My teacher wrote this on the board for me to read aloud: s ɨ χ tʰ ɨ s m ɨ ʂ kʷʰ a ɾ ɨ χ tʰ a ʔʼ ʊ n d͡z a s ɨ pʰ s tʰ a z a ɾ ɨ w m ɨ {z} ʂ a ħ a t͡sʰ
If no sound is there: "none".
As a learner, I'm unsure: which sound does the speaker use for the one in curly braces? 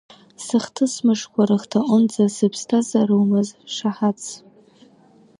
z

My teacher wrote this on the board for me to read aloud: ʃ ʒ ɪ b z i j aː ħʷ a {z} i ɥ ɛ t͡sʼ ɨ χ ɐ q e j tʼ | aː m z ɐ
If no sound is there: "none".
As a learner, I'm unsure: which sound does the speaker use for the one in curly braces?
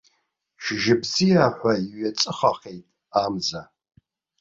none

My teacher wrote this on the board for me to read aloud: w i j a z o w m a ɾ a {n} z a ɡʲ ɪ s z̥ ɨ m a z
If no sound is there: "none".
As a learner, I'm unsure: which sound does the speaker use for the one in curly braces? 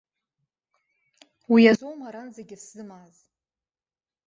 n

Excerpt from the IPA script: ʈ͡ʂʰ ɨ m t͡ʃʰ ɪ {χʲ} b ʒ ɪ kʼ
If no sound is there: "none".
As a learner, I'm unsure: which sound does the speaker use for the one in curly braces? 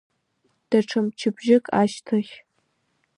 none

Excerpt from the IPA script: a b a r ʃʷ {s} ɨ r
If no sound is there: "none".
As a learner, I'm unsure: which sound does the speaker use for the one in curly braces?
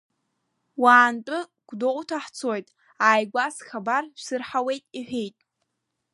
s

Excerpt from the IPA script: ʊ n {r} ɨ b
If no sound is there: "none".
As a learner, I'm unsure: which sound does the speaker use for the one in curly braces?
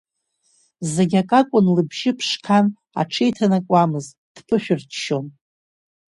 l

